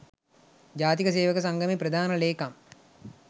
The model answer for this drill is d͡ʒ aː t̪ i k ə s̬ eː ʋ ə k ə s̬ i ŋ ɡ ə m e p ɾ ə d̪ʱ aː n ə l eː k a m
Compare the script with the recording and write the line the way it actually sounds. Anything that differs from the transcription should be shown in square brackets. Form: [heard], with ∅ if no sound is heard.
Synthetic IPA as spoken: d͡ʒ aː t̪ i k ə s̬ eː ʋ ə k ə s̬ [a] ŋ ɡ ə m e p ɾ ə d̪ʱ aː n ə l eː k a m